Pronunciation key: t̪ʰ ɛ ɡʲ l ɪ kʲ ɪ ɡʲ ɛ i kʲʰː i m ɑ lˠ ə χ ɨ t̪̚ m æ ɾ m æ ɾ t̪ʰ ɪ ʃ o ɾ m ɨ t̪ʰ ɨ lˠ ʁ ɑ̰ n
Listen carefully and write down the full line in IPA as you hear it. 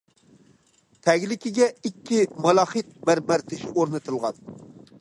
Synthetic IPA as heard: t̪ʰ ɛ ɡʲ l ɪ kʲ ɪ ɡʲ ɛ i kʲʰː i m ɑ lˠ ɑ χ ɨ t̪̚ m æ ɾ m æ ɾ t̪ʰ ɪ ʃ o ɾ n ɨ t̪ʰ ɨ lˠ ʁ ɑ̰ n